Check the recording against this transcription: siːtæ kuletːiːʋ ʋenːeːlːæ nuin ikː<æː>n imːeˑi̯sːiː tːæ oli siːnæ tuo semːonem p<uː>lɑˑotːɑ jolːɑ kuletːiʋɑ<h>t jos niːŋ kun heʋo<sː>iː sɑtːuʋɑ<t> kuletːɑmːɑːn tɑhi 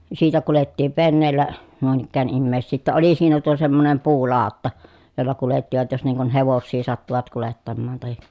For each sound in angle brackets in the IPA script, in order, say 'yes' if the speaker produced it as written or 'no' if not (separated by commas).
yes, yes, no, yes, yes